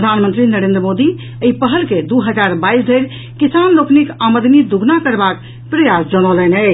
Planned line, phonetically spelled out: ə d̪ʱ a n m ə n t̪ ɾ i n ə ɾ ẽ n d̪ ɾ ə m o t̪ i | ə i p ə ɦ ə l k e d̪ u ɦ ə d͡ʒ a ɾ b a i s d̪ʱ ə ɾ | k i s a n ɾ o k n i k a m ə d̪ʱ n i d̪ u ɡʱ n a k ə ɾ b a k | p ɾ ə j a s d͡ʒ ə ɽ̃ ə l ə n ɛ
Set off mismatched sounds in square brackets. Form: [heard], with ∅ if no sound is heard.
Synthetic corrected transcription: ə d̪ʱ a n m ə n t̪ ɾ i n ə ɾ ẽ n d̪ ɾ ə m o [d̪] i | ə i p ə ɦ ə l k e d̪ u ɦ ə d͡ʒ a ɾ b a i s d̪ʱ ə ɾ | k i s a n [l] o k n i k a m ə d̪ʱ n i d̪ u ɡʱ n a k ə ɾ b a k | p ɾ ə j a s d͡ʒ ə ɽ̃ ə l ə n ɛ